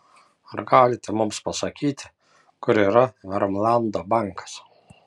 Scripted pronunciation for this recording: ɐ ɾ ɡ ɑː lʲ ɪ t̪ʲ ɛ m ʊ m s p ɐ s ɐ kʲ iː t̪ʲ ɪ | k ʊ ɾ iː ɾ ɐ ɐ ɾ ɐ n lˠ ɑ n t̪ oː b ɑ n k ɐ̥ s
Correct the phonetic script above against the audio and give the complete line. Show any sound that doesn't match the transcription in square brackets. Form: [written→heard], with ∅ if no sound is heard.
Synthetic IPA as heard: ɐ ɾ ɡ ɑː lʲ ɪ t̪ʲ ɛ m ʊ m s p ɐ s ɐ kʲ iː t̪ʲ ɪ | k ʊ ɾ iː ɾ ɐ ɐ ɾ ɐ [n→m] lˠ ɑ n [t̪→d̪] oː b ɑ [n→ŋ] k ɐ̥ s